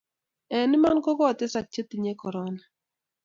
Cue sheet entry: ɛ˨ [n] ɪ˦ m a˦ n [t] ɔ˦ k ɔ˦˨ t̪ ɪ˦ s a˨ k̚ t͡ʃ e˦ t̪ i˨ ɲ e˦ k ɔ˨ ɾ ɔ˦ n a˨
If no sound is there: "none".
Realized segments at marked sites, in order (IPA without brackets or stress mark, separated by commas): n, k